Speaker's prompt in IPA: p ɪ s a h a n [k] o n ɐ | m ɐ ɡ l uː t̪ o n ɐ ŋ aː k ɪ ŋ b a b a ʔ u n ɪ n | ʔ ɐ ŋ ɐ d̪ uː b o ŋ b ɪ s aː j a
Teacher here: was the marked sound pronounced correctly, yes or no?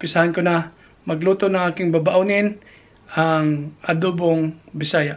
yes